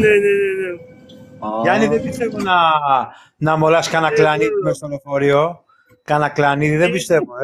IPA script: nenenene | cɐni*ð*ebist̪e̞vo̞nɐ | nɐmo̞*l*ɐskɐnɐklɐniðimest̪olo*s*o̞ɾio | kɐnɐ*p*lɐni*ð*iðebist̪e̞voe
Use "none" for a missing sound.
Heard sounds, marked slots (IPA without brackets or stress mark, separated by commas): ð, l, f, k, ð